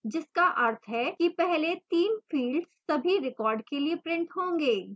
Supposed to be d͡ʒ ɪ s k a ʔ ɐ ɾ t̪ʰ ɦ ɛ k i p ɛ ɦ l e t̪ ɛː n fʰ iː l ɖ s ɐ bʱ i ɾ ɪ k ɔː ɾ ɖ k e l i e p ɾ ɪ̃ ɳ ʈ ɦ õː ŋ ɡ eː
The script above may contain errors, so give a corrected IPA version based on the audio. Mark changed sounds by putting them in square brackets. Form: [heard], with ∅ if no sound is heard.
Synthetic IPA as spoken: d͡ʒ ɪ s k a ʔ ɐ ɾ t̪ʰ ɦ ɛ k i p ɛ ɦ l e t̪ [iː] n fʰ iː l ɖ s ɐ bʱ i ɾ ɪ k ɔː ɾ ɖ k e l i e p ɾ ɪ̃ ɳ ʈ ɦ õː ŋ ɡ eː